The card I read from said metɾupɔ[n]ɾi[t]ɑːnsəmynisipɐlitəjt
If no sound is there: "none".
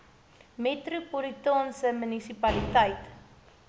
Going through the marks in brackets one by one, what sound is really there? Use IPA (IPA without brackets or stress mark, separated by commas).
none, t